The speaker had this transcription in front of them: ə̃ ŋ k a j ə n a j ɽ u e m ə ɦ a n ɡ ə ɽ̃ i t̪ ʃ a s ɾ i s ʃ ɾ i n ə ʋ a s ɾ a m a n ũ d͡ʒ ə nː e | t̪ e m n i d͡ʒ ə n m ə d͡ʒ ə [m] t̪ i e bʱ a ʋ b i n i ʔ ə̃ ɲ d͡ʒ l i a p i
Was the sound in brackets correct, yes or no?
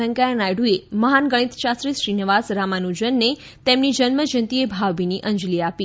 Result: no